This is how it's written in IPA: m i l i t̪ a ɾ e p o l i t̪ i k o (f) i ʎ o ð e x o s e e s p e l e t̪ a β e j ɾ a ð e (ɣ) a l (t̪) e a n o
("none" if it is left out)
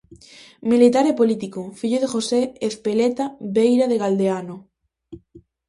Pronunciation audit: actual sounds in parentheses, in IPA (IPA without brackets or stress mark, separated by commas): f, ɣ, d̪